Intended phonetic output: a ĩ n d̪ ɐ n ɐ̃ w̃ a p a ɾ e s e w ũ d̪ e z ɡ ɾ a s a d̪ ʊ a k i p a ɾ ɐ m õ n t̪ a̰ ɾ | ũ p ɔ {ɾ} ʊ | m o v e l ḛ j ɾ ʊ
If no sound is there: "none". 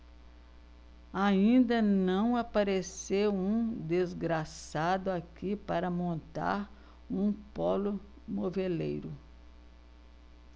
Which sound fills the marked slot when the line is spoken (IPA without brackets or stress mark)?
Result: l